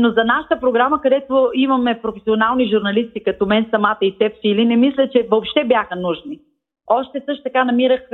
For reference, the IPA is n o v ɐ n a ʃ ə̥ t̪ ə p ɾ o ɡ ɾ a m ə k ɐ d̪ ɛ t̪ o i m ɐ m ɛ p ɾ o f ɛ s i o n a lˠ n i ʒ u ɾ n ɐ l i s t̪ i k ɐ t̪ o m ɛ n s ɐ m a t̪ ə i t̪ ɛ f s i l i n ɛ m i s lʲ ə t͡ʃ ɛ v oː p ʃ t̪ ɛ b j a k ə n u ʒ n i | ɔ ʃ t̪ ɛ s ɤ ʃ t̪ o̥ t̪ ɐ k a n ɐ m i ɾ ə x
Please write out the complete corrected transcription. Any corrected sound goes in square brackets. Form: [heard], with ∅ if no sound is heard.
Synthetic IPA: n o [z] ɐ n a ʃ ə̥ t̪ ə p ɾ o ɡ ɾ a m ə k ɐ d̪ ɛ t̪ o i m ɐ m ɛ p ɾ o f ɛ s i o n a lˠ n i ʒ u ɾ n ɐ l i s t̪ i k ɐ t̪ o m ɛ n s ɐ m a t̪ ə i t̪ ɛ f s i l i n ɛ m i s lʲ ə t͡ʃ ɛ v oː p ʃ t̪ ɛ b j a [x] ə n u ʒ n i | ɔ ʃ t̪ ɛ s ɤ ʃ t̪ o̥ t̪ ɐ k a n ɐ m i ɾ ə x